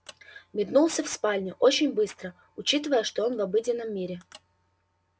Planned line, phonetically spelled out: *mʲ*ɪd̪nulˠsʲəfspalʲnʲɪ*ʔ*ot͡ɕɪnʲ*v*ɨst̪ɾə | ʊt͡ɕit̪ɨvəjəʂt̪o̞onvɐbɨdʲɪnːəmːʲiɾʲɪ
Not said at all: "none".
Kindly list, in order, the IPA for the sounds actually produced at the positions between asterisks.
mʲ, ʔ, b

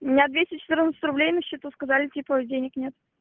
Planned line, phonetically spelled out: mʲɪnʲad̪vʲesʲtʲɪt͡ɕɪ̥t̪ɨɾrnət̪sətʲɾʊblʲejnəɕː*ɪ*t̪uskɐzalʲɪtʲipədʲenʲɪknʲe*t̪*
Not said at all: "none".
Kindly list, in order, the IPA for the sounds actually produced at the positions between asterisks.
i, t̪

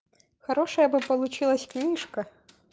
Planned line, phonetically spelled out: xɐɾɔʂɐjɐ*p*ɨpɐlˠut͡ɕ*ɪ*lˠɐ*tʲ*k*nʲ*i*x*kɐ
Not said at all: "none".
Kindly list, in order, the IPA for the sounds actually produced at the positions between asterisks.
b, i, sʲ, nʲ, ʂ

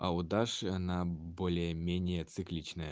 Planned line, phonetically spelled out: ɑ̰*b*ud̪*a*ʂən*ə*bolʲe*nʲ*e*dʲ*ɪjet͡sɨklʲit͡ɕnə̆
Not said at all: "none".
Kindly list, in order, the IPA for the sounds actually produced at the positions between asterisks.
none, ɑ, ɑ, mʲ, nʲ

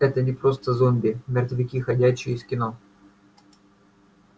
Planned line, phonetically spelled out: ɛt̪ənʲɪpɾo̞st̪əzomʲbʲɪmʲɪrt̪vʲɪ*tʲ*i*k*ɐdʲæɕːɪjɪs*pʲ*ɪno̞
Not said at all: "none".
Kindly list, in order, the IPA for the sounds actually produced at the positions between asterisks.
kʲ, x, kʲ

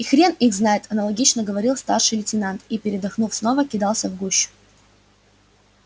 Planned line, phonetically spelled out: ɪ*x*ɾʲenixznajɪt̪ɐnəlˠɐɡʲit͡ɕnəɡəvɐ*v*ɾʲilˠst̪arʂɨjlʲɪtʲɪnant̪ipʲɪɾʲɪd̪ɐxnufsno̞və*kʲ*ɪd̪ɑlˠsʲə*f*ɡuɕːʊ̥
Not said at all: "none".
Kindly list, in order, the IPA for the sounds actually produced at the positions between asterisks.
x, none, kʲ, v

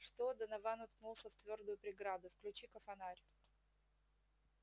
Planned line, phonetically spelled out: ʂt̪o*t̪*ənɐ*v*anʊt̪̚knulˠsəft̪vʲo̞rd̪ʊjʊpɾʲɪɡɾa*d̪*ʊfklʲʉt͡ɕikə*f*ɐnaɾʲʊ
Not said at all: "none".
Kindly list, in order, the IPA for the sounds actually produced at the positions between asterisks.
d̪, v, d̪, f

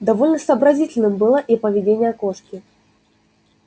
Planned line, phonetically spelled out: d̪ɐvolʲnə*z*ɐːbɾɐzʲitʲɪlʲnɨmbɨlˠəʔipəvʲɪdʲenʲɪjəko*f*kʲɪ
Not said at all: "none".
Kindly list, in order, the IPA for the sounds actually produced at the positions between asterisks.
s, ʂ

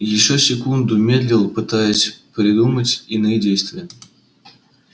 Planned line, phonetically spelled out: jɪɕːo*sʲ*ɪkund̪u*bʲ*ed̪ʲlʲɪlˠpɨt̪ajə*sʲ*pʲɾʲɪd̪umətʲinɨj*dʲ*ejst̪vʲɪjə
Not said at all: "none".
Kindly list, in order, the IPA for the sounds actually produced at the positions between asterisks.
sʲ, mʲ, sʲ, dʲ

